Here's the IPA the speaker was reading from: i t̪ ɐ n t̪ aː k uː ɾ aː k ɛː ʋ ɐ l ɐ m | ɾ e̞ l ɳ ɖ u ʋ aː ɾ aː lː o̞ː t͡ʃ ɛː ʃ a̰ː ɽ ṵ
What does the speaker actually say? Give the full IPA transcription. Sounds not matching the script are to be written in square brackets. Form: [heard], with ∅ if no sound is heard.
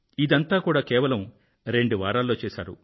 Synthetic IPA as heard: i [d̪] ɐ n t̪ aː k uː [ɽ] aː k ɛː ʋ ɐ l ɐ m | ɾ e̞ [∅] ɳ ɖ u ʋ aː ɾ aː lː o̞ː t͡ʃ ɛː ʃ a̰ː [ɾ] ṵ